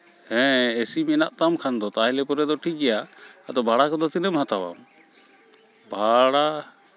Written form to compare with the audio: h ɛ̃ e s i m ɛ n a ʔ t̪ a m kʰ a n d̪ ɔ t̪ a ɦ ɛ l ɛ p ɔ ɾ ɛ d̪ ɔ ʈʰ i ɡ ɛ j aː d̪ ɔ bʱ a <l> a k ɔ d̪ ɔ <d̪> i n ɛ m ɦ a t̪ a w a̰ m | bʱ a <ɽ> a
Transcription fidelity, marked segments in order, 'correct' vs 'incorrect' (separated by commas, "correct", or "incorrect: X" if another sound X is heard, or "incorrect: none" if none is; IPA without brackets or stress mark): incorrect: ɽ, incorrect: t̪, correct